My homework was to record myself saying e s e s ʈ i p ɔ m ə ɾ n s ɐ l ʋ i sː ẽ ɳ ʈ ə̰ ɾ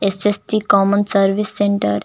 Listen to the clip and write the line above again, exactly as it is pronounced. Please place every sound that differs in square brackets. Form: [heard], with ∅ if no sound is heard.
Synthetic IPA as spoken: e s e s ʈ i [k] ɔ m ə [∅] n s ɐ [ɾ] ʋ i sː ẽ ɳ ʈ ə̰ ɾ